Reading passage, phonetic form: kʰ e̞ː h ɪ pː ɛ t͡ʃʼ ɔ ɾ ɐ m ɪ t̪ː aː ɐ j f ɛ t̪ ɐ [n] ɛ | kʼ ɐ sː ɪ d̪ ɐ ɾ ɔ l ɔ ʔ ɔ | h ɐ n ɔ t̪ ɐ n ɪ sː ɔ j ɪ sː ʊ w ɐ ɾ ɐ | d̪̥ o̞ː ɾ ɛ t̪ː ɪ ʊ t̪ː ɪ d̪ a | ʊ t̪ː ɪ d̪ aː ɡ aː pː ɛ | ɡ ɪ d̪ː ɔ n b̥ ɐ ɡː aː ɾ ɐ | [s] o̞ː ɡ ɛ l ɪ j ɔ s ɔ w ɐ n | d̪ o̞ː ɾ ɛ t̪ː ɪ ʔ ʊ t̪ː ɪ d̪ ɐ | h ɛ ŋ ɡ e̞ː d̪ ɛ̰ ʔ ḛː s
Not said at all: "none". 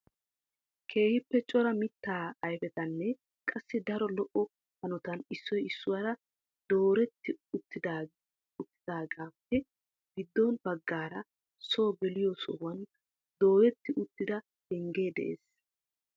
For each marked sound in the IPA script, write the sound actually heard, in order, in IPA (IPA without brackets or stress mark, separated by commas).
nː, s